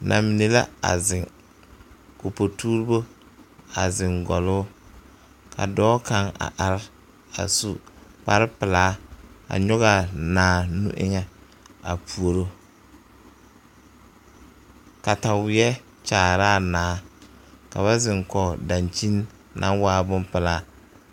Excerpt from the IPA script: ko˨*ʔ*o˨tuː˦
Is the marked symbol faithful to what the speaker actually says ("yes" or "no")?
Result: no